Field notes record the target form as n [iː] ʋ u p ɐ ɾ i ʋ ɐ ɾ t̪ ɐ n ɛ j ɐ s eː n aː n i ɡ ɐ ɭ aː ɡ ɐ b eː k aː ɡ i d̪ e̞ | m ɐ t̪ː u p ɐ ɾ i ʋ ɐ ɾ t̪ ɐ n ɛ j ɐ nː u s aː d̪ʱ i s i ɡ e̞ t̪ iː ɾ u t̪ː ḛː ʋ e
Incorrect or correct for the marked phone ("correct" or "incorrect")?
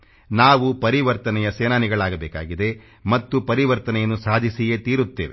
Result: incorrect